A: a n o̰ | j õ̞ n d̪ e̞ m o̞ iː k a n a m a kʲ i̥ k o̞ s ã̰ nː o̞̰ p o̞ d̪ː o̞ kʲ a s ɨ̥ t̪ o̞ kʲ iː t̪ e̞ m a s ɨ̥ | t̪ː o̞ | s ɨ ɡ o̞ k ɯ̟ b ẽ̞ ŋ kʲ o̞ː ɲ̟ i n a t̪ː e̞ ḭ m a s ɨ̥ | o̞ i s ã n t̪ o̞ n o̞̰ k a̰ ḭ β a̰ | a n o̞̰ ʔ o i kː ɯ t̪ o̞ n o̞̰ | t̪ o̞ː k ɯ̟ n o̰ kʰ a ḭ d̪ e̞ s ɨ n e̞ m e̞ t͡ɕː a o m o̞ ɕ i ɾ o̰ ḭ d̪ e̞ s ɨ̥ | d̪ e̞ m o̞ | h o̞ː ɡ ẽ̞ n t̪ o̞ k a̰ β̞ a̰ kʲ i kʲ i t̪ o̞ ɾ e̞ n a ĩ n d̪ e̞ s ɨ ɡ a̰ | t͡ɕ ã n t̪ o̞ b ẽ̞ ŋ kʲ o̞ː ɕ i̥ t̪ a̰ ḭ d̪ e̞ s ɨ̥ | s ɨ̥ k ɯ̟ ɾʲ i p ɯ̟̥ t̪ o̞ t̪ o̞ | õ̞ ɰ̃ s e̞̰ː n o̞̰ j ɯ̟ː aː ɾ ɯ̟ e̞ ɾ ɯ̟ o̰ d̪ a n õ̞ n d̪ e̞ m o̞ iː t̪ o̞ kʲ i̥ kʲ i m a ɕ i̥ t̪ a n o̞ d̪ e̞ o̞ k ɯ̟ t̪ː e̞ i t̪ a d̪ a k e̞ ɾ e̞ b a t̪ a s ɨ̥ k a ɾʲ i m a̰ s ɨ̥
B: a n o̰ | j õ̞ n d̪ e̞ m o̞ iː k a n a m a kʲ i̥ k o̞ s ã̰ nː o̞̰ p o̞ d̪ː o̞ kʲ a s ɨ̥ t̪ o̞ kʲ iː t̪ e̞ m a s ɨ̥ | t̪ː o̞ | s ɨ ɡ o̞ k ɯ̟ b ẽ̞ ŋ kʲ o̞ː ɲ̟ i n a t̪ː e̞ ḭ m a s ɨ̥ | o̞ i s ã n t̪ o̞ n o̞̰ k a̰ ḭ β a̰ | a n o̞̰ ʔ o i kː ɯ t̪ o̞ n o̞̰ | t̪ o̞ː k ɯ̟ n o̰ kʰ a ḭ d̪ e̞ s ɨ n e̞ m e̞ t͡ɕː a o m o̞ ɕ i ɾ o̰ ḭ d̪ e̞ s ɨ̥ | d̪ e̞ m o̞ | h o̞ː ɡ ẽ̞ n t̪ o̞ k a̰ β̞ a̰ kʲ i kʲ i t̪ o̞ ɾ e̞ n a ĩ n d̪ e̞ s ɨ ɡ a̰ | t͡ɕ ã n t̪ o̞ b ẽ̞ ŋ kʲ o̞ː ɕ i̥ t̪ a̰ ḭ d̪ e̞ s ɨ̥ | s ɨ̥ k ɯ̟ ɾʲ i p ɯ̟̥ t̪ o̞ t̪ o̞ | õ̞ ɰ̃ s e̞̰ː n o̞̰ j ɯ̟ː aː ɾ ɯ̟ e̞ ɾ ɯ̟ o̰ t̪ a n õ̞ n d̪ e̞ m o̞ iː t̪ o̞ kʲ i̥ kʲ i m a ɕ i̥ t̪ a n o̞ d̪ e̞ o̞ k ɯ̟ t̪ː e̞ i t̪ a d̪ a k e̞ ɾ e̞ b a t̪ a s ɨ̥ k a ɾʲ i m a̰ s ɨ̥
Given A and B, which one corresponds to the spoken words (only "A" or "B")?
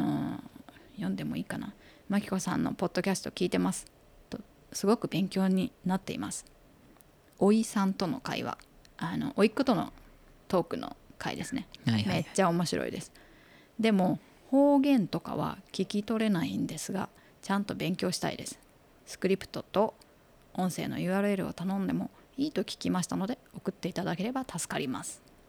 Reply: B